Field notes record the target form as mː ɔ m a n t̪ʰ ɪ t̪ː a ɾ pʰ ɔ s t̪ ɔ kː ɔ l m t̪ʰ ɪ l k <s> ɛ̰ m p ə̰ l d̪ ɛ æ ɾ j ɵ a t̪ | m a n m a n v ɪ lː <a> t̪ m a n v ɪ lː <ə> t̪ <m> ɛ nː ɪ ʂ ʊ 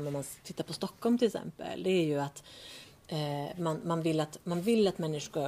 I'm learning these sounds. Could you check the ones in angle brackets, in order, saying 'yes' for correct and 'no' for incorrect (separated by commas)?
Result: yes, yes, no, yes